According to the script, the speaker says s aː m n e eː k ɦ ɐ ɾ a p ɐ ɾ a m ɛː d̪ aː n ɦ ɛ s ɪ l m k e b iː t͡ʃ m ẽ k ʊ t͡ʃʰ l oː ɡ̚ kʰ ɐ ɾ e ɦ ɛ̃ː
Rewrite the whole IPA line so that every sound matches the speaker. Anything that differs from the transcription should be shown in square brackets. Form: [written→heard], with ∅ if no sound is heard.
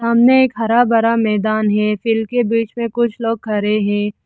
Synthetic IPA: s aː m n e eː k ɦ ɐ ɾ a [p→b] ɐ ɾ a m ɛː d̪ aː n ɦ ɛ [s→f] ɪ l m k e b iː t͡ʃ m ẽ k ʊ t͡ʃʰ l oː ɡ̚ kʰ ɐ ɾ e ɦ ɛ̃ː